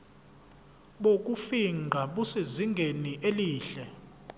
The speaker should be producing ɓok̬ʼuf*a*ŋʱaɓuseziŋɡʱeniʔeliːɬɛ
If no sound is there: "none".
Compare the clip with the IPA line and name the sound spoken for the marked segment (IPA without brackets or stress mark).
i